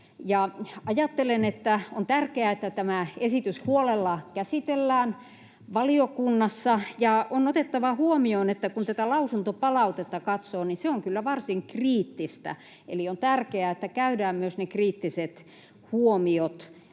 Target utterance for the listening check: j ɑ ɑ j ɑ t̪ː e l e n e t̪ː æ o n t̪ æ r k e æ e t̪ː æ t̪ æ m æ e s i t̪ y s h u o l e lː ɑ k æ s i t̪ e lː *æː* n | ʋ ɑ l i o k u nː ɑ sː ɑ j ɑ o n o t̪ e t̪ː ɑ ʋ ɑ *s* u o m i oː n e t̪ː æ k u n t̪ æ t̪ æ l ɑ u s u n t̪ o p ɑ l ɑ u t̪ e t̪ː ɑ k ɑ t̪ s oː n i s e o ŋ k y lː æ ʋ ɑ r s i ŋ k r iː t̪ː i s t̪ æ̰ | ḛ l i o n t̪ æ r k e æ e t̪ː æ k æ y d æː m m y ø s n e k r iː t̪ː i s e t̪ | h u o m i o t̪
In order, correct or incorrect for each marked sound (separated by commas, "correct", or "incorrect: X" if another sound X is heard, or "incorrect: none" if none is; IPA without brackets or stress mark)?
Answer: correct, incorrect: h